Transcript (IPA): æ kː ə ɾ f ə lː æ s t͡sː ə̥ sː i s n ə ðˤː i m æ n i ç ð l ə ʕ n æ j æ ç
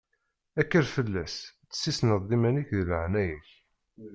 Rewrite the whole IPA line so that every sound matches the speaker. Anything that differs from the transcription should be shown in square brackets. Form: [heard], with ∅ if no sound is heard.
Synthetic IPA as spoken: æ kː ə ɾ f ə lː æ s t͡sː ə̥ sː i s n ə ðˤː i m æ n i ç ð l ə ʕ n æ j æ ç